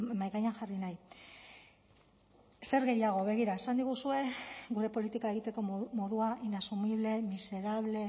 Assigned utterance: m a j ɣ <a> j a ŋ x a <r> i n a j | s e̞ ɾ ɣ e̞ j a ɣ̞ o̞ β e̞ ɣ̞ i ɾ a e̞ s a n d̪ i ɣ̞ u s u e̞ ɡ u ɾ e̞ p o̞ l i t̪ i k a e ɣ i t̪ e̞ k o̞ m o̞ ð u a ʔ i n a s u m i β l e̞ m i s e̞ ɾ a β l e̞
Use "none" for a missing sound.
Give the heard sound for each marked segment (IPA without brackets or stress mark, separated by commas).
a, r